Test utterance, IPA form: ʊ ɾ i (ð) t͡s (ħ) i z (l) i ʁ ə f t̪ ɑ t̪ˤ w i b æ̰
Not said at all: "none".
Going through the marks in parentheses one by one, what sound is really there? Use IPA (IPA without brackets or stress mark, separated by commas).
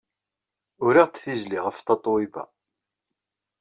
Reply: ʁ, θ, l